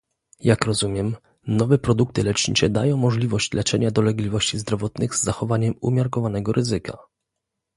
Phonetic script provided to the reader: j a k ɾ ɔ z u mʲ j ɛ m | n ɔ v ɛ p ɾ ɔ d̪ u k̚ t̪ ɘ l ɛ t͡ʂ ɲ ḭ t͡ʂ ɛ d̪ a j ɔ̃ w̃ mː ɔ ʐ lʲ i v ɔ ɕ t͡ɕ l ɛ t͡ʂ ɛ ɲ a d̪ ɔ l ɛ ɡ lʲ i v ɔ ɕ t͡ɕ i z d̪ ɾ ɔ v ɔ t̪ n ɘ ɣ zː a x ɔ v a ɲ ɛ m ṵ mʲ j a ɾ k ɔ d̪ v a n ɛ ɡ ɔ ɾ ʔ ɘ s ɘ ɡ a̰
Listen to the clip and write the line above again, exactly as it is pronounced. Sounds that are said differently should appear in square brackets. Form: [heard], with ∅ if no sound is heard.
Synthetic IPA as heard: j a k ɾ ɔ z u mʲ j ɛ m | n ɔ v ɛ p ɾ ɔ d̪ u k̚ t̪ ɘ l ɛ t͡ʂ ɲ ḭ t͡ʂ ɛ d̪ a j ɔ̃ w̃ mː ɔ ʐ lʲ i v ɔ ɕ t͡ɕ l ɛ t͡ʂ ɛ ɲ a d̪ ɔ l ɛ ɡ lʲ i v ɔ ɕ t͡ɕ i z d̪ ɾ ɔ v ɔ t̪ n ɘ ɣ zː a x ɔ v a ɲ ɛ m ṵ mʲ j a ɾ k ɔ [∅] v a n ɛ ɡ ɔ ɾ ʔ ɘ [z] ɘ [k] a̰